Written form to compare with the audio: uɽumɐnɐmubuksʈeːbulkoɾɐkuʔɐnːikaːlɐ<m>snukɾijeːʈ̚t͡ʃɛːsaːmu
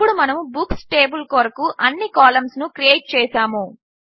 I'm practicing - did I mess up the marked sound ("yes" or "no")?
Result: no